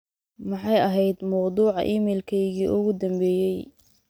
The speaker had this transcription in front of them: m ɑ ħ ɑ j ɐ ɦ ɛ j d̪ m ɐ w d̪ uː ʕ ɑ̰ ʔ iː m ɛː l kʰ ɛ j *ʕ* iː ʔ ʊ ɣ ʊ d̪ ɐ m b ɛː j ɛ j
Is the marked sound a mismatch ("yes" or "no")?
yes